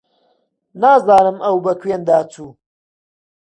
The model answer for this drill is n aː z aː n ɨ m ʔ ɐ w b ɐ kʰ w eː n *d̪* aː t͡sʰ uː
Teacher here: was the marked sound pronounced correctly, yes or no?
yes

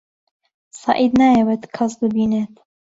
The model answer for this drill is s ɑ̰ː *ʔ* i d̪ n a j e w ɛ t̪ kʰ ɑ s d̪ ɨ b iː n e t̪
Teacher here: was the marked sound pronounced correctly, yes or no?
yes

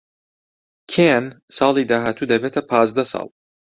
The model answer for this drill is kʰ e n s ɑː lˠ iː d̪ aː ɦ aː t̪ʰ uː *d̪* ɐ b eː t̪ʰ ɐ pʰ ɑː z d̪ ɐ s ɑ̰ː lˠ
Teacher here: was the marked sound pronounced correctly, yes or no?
yes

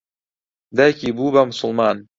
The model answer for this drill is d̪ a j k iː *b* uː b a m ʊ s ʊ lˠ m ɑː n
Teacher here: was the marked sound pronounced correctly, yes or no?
yes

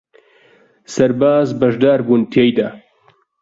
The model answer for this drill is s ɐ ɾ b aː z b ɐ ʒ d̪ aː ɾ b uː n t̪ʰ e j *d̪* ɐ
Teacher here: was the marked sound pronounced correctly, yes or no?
yes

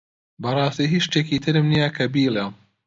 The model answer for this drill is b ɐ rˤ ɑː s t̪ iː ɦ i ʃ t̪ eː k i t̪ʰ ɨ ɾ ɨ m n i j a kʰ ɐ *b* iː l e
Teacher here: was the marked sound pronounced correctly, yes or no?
yes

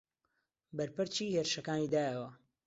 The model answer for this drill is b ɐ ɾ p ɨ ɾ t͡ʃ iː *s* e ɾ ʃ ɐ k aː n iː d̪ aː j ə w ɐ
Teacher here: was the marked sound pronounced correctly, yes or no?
no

